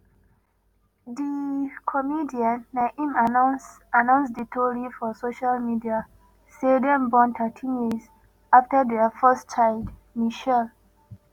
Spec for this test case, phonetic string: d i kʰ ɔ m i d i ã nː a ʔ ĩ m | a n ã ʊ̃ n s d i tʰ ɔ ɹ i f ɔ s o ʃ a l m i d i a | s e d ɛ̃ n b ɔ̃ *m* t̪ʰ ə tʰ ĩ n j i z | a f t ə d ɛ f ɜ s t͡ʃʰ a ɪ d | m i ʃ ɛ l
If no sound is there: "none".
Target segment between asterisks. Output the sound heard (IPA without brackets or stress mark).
n